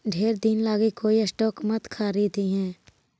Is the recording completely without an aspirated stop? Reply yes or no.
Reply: no